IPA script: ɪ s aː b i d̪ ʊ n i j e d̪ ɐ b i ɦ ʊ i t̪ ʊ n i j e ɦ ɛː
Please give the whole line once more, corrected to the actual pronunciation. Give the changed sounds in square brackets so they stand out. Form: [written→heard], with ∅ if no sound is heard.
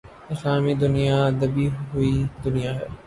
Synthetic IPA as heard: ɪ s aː [b→m] i d̪ ʊ n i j [e→a] d̪ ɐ b i ɦ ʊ i [t̪→d̪] ʊ n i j [e→a] ɦ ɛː